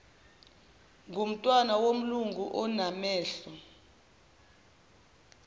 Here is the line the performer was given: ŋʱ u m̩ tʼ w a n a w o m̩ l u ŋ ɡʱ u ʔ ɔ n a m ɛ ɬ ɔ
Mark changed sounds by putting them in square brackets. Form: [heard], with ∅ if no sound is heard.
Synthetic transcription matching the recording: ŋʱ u m̩ tʼ w a n a w o m̩ l u ŋ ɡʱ u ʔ ɔ n a m [ɛː] ɬ ɔ